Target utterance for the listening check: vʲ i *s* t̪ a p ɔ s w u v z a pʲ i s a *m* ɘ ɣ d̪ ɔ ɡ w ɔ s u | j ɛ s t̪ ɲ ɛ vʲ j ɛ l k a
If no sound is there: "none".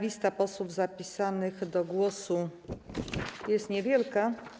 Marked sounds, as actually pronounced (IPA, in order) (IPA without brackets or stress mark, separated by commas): s, n